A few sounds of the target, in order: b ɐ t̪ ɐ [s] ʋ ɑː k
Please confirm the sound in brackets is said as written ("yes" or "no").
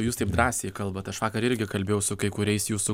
no